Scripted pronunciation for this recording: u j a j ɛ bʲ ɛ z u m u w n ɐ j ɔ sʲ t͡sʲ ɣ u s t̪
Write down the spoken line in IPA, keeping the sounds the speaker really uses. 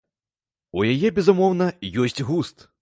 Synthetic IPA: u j a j ɛ bʲ ɛ z u m ɔ w n ɐ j ɔ sʲ t͡sʲ ɣ u s t̪